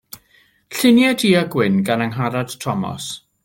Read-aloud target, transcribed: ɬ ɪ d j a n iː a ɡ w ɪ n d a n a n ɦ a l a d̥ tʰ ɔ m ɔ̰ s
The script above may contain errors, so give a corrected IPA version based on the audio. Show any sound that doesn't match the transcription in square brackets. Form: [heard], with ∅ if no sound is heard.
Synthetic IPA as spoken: ɬ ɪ [n] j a [d] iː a ɡ w ɪ n [ɡ] a n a [ŋ] ɦ a [ɾ] a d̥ tʰ ɔ m ɔ̰ s